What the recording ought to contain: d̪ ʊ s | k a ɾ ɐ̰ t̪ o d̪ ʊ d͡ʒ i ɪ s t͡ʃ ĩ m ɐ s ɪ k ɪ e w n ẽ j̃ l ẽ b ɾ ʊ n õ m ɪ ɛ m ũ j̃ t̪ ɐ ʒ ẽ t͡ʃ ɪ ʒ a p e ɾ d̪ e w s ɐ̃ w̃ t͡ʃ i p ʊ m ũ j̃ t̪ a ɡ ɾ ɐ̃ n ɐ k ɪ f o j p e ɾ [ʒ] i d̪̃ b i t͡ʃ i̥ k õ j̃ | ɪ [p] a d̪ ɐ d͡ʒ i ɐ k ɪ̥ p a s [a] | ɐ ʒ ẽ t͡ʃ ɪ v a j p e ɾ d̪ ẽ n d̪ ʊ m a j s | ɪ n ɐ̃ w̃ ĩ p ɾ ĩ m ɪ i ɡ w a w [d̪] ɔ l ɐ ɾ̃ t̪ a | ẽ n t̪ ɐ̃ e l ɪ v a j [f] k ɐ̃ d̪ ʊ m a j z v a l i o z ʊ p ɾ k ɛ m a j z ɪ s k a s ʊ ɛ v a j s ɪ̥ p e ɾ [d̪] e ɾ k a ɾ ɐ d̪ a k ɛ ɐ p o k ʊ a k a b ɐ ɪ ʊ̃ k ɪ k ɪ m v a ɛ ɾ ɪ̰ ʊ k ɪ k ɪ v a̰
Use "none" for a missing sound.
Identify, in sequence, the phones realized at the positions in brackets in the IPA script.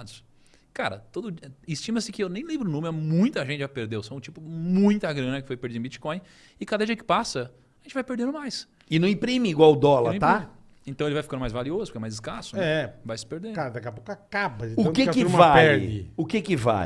d͡ʒ, k, ɐ, d̪, f, d̪

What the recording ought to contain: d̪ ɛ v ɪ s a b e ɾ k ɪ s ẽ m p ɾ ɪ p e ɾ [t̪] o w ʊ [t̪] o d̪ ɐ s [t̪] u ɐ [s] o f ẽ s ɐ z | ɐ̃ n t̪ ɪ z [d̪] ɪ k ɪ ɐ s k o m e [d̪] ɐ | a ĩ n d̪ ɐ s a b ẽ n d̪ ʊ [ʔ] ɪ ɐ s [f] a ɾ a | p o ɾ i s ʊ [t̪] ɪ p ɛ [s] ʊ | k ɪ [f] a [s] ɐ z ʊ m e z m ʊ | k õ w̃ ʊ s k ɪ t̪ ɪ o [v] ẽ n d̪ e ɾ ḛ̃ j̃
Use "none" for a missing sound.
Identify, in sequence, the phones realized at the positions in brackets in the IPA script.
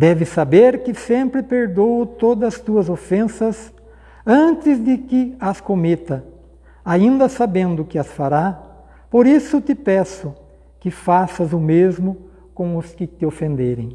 d̪, t̪, t̪, z, d̪, t̪, k, f, t̪, s, f, s, f

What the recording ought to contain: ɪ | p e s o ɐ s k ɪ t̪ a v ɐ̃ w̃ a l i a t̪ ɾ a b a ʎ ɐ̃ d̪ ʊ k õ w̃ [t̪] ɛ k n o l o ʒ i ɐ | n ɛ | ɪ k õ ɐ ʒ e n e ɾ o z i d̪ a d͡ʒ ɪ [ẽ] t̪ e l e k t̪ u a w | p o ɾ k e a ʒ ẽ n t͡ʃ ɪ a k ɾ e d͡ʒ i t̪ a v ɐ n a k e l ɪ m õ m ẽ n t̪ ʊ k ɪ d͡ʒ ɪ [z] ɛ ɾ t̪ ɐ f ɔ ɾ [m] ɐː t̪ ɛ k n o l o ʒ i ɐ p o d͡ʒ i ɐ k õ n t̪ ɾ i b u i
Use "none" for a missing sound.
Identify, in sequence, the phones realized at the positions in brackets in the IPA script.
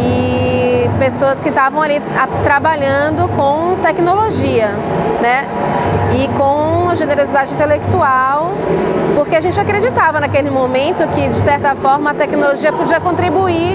t̪, ĩ, s, m

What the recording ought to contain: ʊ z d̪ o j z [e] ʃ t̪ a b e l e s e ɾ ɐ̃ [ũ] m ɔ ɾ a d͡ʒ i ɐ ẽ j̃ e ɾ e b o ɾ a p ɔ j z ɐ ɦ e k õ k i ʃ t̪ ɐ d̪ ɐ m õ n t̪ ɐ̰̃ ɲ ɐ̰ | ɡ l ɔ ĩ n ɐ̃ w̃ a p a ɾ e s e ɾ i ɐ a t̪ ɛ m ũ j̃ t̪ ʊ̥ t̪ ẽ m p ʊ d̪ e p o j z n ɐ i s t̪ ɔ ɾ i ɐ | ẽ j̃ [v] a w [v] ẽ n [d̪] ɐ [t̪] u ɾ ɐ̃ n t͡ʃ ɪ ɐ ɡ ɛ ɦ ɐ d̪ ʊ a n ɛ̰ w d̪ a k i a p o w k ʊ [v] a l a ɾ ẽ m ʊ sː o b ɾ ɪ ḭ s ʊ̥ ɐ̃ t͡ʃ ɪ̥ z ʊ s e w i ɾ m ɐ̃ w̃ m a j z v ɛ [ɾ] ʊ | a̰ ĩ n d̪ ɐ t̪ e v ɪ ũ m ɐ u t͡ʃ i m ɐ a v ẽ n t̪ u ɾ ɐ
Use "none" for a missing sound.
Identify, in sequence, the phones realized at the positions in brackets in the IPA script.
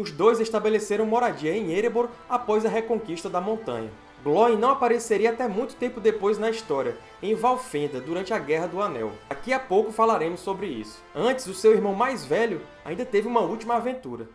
e, w̃, v, f, d̪, d̪, f, ʎ

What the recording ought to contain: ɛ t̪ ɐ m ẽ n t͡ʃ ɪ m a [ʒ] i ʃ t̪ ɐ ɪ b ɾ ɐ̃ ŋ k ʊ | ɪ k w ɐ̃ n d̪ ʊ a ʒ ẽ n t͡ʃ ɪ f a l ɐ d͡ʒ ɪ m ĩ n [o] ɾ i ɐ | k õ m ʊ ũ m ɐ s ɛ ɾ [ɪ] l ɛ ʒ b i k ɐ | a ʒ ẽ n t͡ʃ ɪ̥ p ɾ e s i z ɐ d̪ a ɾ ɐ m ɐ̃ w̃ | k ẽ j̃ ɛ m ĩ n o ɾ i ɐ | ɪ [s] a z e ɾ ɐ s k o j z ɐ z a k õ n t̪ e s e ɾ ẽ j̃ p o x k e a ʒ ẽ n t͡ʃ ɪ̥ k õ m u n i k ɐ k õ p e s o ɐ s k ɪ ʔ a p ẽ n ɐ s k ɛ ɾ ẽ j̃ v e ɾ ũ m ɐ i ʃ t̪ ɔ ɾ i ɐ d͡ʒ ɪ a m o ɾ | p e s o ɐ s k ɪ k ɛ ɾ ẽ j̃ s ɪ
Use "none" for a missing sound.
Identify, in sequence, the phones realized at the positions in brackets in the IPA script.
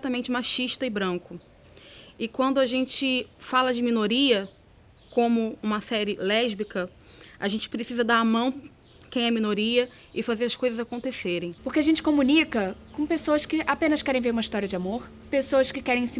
ʃ, o, ɪ, f

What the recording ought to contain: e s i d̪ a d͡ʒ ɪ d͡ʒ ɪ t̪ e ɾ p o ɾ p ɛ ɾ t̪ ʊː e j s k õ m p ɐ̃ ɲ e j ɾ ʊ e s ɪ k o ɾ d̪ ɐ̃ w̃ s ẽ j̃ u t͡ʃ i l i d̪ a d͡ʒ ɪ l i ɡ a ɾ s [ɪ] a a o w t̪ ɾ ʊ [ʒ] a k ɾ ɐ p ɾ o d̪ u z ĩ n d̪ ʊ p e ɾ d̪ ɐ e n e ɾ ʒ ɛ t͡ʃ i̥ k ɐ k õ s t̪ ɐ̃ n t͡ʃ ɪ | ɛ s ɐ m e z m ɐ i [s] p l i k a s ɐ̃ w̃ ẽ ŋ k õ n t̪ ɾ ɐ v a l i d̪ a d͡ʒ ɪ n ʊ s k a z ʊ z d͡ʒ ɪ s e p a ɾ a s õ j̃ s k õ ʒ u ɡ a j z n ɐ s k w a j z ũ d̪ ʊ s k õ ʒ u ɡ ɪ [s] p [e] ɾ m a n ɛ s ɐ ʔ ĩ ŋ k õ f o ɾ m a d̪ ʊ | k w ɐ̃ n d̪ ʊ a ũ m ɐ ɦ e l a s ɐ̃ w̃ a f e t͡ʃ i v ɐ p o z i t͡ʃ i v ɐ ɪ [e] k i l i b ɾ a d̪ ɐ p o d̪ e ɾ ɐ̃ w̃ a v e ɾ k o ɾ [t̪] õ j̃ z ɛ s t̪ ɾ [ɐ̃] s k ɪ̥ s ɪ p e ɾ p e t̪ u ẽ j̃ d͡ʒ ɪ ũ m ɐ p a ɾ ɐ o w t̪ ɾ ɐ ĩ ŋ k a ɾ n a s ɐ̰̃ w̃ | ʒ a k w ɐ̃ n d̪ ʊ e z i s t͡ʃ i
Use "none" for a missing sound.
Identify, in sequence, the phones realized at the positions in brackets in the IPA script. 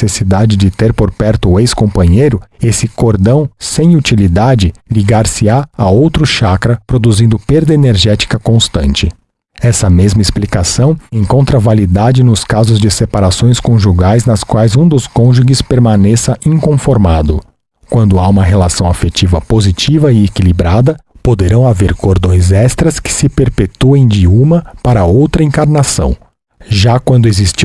ɪ, ʃ, s, s, e, e, d̪, ɐ

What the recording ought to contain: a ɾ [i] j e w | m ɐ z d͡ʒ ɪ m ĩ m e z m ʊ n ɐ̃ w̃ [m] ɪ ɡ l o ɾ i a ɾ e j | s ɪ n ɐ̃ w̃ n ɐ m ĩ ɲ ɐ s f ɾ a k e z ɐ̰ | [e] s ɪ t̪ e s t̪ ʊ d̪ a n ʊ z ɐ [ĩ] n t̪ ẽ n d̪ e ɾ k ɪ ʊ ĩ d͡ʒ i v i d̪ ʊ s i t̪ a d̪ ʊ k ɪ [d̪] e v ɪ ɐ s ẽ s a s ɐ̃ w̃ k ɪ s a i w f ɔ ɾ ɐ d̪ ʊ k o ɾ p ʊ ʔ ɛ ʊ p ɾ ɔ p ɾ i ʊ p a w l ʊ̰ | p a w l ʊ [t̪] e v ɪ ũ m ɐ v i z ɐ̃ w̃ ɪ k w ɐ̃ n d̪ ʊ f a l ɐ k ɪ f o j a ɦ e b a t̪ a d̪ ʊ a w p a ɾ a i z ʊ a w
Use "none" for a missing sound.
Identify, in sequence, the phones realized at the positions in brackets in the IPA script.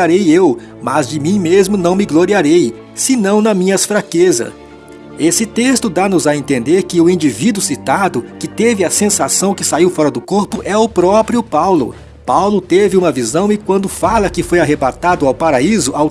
e, m, e, ẽ, t̪, t̪

